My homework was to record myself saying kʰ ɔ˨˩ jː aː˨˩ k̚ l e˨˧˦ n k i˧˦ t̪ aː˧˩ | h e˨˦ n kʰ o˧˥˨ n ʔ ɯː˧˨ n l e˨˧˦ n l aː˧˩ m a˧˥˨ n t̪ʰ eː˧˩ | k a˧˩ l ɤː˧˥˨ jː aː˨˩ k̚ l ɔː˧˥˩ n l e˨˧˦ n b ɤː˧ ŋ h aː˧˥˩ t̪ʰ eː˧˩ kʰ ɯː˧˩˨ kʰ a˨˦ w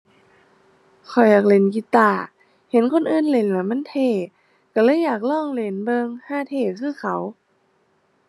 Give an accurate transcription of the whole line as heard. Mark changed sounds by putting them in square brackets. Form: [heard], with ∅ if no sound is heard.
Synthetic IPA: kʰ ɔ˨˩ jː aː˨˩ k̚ l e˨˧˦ n k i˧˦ t̪ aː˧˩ | h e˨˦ n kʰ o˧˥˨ n ʔ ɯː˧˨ n l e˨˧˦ n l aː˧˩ m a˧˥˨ n t̪ʰ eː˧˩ | k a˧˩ l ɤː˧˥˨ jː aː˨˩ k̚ l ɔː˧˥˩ [ŋ] l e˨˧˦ n b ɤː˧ ŋ h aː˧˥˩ t̪ʰ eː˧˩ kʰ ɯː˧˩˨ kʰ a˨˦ w